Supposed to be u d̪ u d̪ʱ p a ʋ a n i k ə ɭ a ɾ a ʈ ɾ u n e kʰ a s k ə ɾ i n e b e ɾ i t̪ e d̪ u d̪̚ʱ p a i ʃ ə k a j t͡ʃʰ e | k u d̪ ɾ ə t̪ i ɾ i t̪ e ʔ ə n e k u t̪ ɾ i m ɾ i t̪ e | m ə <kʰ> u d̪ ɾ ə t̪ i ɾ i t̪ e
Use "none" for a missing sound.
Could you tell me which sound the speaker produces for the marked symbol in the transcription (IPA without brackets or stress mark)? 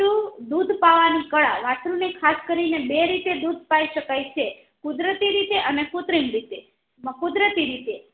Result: k